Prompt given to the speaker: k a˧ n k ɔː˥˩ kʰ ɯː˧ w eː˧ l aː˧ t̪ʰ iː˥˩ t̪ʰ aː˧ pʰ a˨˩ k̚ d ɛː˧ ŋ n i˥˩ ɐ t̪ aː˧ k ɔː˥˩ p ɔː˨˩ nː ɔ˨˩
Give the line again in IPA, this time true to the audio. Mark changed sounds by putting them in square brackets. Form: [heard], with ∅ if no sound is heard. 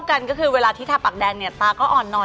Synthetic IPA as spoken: k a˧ n k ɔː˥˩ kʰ ɯː˧ w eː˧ l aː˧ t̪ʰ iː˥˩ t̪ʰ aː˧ [p] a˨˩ k̚ d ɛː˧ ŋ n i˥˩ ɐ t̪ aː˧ k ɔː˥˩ [ʔ] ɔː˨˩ nː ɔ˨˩